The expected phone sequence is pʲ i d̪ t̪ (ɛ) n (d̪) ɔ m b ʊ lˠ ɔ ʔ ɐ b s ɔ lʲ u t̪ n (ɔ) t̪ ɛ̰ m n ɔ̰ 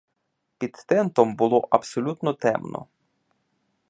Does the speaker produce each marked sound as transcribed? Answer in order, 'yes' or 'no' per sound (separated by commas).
yes, no, yes